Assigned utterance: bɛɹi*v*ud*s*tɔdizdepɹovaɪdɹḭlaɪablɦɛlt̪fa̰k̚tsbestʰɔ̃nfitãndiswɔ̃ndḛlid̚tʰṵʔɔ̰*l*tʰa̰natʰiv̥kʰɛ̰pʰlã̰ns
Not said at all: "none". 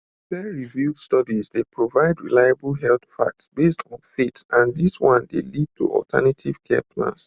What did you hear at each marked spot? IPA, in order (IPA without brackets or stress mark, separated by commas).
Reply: v, s, l